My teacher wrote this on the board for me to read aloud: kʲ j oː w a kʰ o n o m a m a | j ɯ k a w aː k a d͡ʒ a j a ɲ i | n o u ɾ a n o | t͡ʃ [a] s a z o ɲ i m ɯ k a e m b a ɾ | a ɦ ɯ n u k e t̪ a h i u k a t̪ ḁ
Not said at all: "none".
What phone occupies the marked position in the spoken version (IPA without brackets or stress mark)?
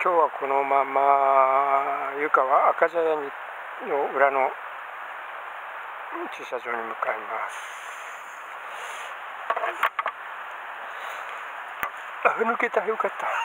i